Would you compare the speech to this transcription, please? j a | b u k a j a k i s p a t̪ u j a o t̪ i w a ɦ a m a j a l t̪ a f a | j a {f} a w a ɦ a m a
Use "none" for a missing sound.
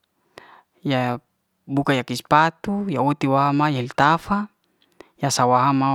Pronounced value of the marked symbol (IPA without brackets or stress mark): s